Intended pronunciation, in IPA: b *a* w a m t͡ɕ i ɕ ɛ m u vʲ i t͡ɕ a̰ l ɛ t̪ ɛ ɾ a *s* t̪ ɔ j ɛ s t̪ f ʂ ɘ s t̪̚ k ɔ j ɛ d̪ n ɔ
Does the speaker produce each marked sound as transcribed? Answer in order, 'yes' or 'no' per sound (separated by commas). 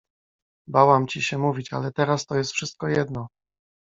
yes, yes